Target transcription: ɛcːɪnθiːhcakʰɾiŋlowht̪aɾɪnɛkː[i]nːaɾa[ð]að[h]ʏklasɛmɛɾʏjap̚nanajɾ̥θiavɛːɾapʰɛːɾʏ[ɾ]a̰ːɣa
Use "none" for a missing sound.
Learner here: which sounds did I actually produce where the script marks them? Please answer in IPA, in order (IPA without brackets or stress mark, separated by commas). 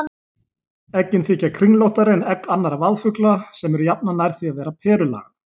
a, v, f, l